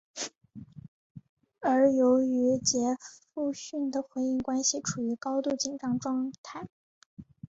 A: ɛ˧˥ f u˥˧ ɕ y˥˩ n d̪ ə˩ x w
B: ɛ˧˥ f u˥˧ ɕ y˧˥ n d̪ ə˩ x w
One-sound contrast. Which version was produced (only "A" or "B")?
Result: A